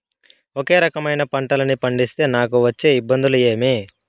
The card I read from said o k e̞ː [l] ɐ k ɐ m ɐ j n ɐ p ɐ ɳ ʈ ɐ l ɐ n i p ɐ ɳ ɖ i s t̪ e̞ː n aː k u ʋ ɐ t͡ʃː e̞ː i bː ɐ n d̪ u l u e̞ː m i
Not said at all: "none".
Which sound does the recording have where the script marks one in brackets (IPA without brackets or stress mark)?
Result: ɾ